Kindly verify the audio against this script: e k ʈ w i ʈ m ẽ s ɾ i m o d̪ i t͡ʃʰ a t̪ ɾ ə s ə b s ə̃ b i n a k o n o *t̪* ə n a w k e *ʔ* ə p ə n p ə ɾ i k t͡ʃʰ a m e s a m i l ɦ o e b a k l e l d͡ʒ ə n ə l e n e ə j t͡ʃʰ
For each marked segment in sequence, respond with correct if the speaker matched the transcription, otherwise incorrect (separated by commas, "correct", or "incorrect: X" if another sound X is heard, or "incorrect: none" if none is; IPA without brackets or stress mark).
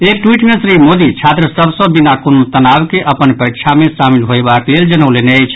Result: correct, correct